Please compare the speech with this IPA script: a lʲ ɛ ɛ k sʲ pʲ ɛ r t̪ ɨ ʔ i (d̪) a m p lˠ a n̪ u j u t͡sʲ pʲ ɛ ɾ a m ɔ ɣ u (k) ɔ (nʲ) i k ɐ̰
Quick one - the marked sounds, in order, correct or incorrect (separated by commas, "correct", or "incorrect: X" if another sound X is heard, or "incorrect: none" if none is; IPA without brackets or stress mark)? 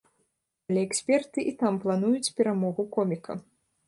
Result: incorrect: t̪, correct, incorrect: mʲ